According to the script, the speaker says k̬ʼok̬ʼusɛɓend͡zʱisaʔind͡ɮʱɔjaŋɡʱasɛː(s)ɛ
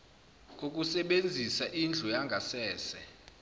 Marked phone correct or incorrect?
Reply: correct